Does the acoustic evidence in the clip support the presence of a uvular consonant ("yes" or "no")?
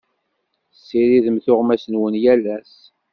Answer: yes